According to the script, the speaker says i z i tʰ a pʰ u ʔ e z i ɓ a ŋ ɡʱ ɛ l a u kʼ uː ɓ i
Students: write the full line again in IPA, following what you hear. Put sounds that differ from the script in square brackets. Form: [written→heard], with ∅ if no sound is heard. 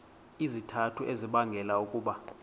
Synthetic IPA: i z i tʰ a [pʰ→tʰ] u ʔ e z i ɓ a ŋ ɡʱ ɛ l a u kʼ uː ɓ [i→a]